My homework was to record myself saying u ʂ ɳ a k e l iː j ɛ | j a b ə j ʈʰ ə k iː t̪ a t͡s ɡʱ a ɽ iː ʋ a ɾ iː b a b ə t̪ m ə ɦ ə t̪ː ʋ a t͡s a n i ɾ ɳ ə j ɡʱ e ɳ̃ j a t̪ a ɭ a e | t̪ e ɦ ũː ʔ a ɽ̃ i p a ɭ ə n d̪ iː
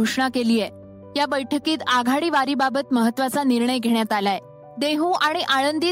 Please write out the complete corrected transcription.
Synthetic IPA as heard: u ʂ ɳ a k e l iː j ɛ | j a b ə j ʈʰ ə k iː t̪ a ɡʱ a ɽ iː ʋ a ɾ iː b a b ə t̪ m ə ɦ ə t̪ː ʋ a t͡s a n i ɾ ɳ ə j ɡʱ e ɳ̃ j a t̪ a l a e | d̪ e ɦ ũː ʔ a ɽ̃ i ʔ a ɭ ə n d̪ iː